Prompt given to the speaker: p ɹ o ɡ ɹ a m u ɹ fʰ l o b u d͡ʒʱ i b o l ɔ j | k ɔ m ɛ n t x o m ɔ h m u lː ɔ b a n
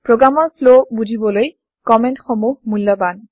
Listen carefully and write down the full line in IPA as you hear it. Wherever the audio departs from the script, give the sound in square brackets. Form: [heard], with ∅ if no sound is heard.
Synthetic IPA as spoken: p ɹ o ɡ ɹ a m [ɔ] ɹ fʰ l o b u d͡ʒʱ i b [ɔ] l [o] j | k ɔ m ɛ n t x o m [u] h m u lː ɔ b a n